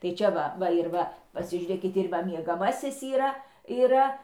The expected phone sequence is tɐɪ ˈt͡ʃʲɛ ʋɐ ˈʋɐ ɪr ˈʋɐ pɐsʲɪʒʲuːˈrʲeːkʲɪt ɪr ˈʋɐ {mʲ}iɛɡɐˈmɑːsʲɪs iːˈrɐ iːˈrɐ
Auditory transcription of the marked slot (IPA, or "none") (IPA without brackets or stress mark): mʲ